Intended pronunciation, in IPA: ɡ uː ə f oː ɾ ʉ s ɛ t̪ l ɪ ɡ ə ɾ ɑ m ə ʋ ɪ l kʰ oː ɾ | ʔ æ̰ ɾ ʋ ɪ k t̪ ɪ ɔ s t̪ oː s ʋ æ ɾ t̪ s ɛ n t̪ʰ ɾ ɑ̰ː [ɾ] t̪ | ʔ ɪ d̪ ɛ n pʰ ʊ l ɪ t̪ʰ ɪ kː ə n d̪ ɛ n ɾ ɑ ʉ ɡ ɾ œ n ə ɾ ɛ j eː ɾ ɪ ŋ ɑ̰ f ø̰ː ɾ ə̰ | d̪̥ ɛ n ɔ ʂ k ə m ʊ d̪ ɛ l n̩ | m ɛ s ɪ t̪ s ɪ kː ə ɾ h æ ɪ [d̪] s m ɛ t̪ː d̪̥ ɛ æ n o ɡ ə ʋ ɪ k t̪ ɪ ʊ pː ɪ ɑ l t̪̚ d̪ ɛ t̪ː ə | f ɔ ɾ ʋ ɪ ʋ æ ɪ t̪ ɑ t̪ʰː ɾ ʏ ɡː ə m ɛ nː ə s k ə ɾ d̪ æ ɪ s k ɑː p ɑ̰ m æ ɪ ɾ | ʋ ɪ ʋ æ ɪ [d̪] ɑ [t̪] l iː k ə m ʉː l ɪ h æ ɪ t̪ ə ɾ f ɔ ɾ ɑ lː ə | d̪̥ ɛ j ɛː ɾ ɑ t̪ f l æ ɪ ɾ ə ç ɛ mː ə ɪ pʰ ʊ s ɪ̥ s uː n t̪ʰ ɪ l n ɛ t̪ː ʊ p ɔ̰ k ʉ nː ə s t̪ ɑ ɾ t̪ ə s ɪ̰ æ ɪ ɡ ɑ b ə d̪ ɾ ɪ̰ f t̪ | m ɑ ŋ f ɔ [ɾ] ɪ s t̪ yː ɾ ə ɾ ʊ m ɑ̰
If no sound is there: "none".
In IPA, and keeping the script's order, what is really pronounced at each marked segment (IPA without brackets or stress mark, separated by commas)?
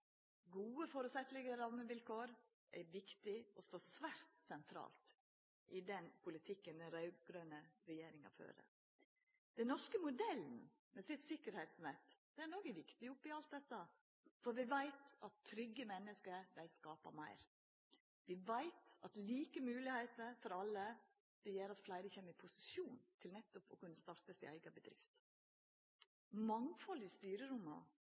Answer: l, t̪, t̪, t̪, l